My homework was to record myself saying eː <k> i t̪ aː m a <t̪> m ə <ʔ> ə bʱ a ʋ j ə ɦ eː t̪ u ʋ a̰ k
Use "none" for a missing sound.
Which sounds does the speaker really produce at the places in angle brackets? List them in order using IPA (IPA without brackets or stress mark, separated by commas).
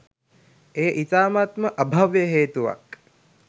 ʔ, t̪, ʔ